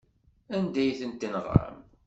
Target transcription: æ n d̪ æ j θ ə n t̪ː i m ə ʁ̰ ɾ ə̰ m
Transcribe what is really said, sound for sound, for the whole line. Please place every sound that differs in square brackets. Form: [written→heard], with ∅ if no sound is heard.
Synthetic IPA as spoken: æ n d̪ æ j θ ə n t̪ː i [m→n] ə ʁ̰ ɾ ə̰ m